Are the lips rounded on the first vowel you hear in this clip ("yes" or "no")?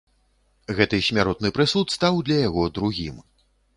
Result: no